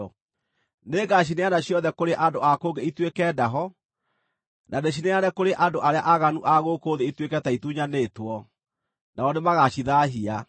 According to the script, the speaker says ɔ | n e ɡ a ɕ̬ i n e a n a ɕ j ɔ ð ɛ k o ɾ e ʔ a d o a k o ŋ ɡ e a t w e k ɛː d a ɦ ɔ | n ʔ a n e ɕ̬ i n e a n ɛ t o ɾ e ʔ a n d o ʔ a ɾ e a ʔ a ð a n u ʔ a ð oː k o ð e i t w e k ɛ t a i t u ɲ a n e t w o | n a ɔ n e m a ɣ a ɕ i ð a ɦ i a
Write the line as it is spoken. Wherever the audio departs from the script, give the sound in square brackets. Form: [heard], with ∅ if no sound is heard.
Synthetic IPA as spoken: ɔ | n e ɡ a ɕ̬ i n e a n a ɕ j ɔ ð ɛ k o ɾ e ʔ a d o a k o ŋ ɡ e [i] t w e k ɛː d a ɦ ɔ | n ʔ a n e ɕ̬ i n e a n ɛ [k] o ɾ e ʔ a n d o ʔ a ɾ e a ʔ a [ɣ] a n u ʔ a [ɣ] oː k o ð e i t w e k ɛ t a i t u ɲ a n e t w [ɔ] | n a ɔ n e m a ɣ a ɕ i ð a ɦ i a